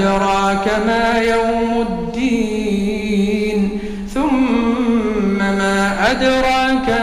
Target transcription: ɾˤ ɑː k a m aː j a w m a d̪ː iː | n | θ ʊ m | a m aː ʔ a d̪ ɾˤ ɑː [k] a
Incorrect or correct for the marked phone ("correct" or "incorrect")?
correct